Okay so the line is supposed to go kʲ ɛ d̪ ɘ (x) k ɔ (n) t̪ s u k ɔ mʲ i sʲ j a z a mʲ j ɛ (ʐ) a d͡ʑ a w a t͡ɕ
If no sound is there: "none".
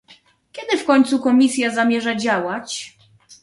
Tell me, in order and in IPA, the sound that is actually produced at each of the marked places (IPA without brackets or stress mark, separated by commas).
f, ɲ, ʐ